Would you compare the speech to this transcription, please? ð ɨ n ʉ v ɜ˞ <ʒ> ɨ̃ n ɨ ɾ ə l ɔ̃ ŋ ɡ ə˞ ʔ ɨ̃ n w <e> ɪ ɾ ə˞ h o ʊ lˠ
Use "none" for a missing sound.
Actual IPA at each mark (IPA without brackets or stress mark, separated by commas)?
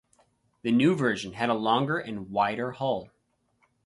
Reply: ʒ, a